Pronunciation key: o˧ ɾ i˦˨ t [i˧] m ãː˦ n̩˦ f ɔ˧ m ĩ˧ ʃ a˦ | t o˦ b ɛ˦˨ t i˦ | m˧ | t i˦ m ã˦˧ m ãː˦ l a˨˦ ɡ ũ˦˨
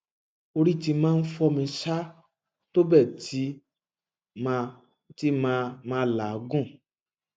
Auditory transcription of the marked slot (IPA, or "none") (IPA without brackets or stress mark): i˧